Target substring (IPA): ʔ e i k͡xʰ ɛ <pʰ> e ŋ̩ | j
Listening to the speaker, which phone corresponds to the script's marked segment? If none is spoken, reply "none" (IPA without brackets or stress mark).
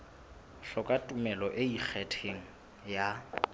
tʰ